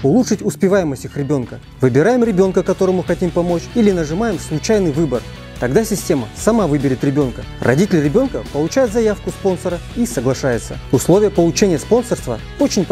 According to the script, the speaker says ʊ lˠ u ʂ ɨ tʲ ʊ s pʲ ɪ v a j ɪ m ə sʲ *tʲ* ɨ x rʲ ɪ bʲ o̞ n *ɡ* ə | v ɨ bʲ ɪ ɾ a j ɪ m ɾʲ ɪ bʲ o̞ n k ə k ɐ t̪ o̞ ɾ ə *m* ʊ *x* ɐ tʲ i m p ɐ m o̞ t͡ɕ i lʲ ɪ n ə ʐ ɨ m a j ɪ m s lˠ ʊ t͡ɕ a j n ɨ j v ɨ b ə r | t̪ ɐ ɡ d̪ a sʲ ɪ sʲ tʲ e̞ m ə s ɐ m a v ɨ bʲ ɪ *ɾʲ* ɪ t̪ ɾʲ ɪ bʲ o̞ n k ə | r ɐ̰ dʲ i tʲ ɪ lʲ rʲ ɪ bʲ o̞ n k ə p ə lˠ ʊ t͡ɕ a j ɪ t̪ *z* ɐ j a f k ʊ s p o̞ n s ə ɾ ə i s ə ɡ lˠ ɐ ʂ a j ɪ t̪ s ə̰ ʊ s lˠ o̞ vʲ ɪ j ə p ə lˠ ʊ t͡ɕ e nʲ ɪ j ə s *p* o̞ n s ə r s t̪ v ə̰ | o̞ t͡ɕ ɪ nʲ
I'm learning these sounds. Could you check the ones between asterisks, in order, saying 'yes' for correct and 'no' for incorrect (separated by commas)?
yes, no, yes, yes, yes, yes, yes